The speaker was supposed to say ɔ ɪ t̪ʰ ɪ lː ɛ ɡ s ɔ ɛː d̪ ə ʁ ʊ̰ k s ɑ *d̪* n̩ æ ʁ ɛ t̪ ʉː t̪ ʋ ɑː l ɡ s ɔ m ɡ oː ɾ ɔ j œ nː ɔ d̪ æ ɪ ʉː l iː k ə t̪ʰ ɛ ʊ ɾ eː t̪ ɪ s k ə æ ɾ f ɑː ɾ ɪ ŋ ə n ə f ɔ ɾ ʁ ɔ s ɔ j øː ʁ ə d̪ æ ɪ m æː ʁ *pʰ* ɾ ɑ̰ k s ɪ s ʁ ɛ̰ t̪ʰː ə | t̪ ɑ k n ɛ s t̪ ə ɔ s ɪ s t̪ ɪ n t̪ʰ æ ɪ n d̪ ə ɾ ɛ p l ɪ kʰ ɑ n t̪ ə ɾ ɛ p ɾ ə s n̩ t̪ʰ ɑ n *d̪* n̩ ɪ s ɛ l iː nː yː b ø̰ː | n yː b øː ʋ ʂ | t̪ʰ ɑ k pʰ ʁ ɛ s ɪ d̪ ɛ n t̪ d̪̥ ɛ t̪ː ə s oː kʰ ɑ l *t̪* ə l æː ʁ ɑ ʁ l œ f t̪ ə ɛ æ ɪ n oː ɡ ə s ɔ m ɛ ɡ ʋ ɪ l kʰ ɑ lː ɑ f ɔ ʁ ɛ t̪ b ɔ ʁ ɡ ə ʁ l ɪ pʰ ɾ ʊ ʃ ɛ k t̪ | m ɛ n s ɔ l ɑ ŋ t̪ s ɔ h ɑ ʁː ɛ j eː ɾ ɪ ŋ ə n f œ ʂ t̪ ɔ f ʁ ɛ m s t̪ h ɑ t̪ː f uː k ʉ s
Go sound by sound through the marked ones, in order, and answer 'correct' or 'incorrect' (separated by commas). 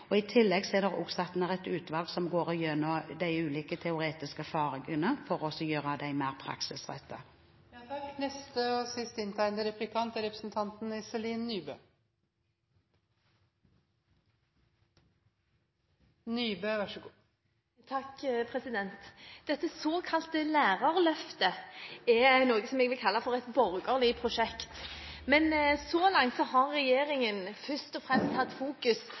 incorrect, correct, incorrect, correct